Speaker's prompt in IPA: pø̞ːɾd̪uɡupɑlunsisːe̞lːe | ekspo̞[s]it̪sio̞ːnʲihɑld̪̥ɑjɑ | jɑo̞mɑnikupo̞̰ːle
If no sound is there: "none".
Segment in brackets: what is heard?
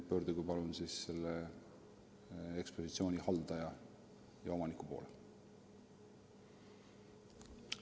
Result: s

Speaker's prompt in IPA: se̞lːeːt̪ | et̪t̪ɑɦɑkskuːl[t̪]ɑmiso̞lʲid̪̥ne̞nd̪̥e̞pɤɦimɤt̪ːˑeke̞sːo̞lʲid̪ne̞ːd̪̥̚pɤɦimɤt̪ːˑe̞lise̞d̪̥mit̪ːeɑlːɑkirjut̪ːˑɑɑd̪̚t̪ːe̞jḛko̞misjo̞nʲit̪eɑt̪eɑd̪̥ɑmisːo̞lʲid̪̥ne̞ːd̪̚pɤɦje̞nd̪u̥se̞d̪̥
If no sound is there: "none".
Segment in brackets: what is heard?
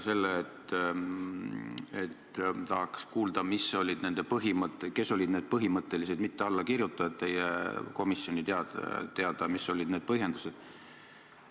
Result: d̪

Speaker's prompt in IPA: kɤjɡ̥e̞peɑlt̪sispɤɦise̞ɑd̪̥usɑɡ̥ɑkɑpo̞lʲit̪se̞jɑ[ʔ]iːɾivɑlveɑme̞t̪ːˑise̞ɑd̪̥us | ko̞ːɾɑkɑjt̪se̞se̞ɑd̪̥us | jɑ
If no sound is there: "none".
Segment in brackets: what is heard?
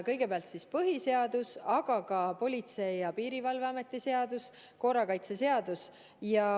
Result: p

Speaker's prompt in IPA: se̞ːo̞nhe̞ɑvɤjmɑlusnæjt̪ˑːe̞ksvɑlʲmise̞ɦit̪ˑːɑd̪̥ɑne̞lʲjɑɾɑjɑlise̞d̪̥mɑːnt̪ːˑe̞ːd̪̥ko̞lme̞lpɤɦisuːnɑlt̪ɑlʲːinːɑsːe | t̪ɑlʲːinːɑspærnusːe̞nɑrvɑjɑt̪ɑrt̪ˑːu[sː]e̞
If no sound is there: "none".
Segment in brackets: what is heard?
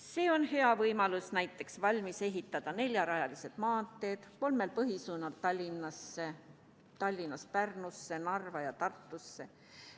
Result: sː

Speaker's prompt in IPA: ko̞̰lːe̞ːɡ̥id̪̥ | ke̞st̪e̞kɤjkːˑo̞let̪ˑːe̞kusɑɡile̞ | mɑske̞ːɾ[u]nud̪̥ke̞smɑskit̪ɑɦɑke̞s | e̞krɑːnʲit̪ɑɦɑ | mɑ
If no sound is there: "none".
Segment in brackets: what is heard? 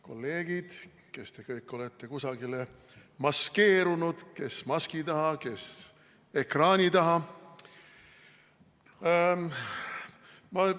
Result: u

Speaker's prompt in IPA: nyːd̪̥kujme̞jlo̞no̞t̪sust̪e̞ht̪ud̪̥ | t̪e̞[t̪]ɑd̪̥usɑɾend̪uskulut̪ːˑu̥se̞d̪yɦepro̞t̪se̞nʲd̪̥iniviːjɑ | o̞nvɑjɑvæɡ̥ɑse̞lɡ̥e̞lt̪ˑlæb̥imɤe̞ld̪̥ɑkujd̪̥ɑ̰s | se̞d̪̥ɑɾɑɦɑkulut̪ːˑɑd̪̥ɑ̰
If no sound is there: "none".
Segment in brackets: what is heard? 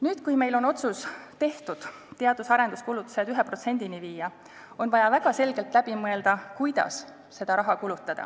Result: none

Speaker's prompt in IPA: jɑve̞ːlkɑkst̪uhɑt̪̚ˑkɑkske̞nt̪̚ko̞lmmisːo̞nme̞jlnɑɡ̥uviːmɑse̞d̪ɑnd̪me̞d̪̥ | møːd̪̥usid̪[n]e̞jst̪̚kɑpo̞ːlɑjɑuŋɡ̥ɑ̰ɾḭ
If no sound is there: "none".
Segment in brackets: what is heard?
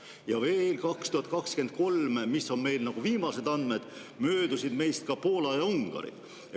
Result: m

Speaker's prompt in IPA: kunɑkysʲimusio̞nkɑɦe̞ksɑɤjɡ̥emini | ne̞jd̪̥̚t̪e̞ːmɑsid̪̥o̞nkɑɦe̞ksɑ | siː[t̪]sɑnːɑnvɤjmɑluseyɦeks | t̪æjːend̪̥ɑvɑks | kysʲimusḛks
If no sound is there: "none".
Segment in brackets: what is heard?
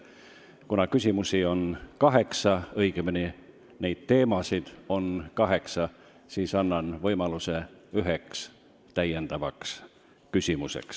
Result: none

